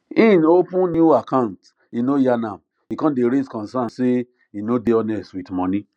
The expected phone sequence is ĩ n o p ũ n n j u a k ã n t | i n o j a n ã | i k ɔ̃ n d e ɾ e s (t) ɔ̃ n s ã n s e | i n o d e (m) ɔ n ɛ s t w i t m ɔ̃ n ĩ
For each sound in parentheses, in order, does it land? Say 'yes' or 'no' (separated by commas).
no, no